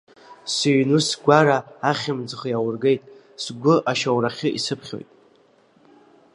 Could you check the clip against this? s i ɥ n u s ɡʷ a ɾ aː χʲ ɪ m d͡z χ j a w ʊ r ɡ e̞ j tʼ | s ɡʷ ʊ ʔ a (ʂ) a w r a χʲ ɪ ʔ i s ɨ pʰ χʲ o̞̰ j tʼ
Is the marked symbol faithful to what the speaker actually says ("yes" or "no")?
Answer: no